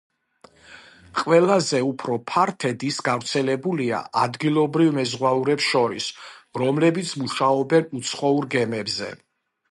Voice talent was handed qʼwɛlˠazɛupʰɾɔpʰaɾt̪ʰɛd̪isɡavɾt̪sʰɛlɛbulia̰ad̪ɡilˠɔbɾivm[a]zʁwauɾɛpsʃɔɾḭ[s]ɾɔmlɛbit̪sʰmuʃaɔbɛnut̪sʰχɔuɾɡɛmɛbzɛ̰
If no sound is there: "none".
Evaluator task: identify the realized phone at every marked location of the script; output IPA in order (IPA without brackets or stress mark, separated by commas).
ɛ, s